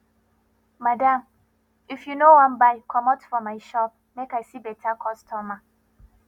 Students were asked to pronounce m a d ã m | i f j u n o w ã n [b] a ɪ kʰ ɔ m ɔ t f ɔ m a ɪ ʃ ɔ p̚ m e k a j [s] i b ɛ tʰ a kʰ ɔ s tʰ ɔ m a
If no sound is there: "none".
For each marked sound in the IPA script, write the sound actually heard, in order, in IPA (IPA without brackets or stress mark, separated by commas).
b, s